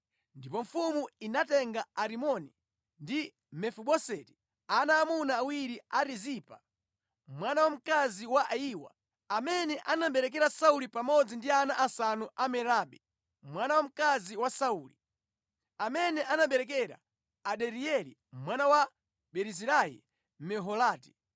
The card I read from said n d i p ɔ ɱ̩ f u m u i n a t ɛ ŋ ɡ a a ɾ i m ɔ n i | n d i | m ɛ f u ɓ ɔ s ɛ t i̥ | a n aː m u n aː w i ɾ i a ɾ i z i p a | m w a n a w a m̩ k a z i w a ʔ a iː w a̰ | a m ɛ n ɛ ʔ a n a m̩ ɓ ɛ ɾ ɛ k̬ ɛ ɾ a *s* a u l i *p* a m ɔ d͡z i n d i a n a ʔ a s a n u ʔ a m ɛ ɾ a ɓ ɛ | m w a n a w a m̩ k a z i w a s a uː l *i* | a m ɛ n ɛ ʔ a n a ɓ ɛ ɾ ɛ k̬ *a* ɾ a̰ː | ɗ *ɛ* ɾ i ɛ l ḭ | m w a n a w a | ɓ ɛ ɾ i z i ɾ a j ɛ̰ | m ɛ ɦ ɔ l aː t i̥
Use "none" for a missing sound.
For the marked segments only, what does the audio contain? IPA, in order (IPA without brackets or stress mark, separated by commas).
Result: s, p, i, ɛ, ɛ